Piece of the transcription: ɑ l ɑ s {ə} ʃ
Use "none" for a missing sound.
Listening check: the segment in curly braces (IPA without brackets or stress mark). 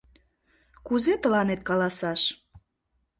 ɑ